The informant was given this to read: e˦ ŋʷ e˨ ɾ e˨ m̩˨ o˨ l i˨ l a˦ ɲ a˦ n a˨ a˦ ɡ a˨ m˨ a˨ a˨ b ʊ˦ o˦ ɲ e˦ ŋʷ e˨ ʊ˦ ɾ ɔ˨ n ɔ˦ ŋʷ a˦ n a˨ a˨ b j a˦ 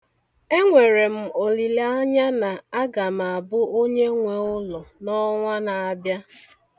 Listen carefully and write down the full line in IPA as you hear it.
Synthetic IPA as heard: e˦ ŋʷ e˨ ɾ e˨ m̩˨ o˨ l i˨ l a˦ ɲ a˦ n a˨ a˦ ɡ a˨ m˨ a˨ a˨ b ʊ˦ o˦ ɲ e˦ ŋʷ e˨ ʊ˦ l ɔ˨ n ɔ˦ ŋʷ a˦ n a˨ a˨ b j a˦